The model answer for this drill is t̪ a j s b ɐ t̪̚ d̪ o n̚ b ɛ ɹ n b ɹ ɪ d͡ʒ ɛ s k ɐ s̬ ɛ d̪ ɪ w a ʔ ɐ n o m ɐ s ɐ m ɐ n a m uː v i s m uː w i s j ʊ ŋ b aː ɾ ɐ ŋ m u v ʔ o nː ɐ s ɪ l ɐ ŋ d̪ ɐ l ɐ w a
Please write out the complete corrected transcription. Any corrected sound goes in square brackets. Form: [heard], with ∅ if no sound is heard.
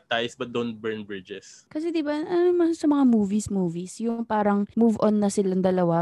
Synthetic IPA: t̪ a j s b ɐ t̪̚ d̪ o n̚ b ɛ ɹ n b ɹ ɪ d͡ʒ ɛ s k ɐ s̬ ɛ d̪ ɪ [b] a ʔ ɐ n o m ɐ s ɐ m ɐ [ŋ] a m uː v i s m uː [v] i s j ʊ ŋ [p] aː ɾ ɐ ŋ m u v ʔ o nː ɐ s ɪ l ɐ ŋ d̪ ɐ l ɐ w a